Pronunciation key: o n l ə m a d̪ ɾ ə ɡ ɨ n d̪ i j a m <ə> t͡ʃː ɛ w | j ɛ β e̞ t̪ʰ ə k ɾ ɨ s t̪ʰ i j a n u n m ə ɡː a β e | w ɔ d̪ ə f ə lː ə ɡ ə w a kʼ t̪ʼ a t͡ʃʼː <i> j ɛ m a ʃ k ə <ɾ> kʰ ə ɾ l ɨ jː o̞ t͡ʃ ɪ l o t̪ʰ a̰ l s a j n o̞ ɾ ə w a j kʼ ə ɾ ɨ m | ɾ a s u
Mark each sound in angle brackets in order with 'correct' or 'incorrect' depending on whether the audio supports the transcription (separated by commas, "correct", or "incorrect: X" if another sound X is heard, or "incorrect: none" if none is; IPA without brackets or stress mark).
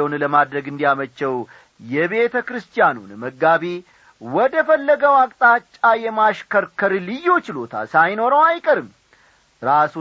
correct, incorrect: a, correct